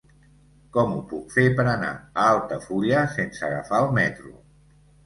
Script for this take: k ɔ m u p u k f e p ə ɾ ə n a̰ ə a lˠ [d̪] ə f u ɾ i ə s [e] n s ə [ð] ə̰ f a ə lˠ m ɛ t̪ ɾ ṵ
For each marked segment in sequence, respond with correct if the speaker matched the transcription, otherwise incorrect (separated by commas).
incorrect, correct, incorrect